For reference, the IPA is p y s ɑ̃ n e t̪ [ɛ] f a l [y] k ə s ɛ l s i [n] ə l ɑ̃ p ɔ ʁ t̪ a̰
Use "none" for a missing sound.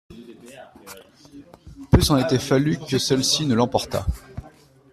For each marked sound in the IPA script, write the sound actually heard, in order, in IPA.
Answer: ɛ, y, n

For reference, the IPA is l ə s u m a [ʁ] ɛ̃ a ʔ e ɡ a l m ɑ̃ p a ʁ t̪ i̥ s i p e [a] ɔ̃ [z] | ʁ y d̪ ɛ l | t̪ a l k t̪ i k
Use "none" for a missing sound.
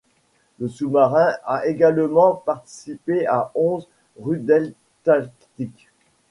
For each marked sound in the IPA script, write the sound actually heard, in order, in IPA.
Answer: ʁ, a, z

